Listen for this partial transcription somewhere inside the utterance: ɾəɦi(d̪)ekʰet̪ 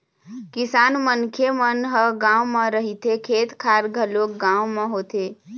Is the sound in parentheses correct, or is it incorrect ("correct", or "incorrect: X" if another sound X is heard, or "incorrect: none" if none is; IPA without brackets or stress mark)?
incorrect: t̪